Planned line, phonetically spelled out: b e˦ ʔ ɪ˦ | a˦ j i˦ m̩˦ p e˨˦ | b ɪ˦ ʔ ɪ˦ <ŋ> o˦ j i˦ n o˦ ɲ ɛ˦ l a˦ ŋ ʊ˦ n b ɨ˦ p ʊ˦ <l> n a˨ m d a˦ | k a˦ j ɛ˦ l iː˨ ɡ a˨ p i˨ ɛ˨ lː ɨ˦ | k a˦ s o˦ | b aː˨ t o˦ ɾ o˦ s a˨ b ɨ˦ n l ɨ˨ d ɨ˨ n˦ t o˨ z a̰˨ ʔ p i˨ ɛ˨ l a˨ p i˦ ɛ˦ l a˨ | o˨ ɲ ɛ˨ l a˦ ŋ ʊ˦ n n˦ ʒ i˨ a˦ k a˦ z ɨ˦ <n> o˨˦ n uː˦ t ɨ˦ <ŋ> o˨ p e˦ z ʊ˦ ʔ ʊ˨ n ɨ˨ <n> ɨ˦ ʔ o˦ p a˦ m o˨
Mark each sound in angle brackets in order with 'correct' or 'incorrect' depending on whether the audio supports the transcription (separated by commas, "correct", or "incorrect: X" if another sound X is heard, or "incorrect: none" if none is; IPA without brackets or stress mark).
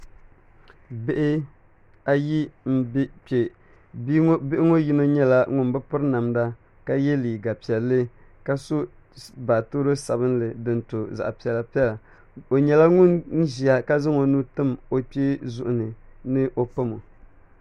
correct, incorrect: ɾ, incorrect: ŋ, incorrect: m, correct